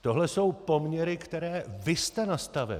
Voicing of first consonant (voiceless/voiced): voiceless